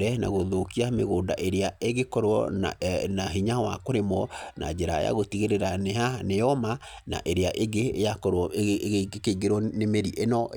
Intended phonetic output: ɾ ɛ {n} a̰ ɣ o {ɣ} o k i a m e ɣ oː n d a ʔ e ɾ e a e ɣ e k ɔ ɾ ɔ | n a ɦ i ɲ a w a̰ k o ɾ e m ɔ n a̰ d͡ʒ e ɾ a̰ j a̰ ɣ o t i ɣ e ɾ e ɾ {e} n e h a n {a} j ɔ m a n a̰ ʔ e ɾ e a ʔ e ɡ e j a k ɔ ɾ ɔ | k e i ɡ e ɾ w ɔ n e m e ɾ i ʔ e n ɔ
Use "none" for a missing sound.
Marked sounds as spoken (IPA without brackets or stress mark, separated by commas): n, ð, a, e